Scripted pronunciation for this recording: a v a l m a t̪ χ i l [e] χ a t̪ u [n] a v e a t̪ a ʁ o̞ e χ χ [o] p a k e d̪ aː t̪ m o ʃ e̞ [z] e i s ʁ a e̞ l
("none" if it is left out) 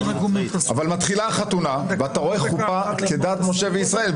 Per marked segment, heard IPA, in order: a, n, u, v

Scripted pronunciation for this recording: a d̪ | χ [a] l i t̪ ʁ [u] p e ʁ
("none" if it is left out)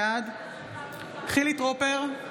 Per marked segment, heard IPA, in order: i, o

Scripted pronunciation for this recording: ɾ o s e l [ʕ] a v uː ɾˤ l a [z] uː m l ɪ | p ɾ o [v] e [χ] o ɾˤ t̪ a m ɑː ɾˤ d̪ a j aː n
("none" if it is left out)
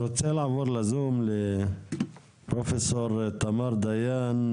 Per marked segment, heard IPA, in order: ʕ, z, f, s

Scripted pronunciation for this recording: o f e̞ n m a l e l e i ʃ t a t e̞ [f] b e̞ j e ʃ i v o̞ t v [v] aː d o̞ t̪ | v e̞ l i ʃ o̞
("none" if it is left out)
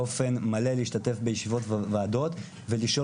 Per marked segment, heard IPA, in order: f, v

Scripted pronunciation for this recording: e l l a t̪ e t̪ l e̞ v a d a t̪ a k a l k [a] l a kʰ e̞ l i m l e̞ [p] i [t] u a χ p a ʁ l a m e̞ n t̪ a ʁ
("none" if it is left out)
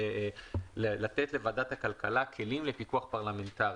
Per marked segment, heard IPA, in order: a, p, k

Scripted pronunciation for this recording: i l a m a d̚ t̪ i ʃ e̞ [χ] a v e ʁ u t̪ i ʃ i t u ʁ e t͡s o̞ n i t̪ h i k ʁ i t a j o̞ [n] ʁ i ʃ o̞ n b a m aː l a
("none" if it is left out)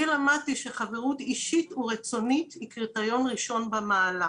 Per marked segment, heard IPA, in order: χ, n

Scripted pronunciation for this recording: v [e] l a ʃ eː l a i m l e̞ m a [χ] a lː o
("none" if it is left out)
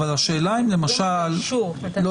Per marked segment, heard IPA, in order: a, ʃ

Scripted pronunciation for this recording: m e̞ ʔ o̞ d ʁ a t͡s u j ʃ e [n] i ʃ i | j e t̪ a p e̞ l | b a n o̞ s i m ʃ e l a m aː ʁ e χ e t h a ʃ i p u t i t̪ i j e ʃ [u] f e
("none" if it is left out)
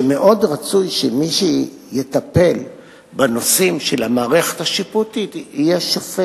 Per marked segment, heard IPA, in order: m, o

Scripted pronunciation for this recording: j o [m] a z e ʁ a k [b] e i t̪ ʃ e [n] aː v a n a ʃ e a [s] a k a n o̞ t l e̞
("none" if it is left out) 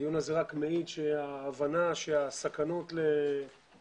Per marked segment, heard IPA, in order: n, m, none, s

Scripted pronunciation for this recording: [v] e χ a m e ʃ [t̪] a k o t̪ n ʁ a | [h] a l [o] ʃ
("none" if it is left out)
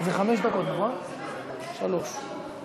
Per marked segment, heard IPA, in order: z, d̪, ʃ, o

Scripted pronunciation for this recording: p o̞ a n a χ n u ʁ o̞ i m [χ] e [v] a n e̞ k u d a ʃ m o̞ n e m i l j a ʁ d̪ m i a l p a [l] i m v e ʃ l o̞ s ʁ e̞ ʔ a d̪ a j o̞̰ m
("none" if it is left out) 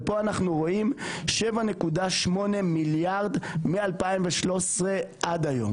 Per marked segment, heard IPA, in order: ʃ, v, none

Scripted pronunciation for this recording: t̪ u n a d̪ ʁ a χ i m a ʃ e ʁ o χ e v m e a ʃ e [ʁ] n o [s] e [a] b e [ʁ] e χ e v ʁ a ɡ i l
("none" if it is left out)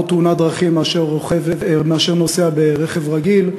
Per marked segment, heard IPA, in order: ʁ, s, a, ʁ

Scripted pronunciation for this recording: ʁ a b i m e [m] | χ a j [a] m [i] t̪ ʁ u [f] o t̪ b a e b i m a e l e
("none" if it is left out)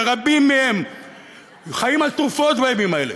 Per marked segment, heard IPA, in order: m, i, a, f

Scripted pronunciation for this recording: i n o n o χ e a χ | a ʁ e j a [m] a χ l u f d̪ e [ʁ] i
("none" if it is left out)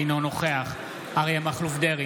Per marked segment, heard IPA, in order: m, ʁ

